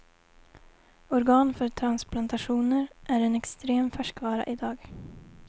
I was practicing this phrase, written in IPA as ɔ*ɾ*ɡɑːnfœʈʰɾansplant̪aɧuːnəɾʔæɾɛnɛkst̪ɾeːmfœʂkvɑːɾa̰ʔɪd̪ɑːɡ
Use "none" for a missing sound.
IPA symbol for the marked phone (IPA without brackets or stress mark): ɾ